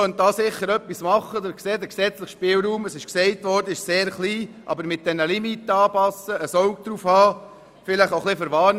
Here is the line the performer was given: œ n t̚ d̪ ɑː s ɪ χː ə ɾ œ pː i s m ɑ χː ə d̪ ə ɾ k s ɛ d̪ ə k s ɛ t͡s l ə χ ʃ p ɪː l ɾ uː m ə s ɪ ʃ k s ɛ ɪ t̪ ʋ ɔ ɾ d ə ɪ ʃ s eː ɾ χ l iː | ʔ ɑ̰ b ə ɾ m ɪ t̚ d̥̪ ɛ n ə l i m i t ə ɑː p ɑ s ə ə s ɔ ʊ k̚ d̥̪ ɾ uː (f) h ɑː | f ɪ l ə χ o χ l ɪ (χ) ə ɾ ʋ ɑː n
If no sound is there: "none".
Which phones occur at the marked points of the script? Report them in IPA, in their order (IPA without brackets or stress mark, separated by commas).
f, f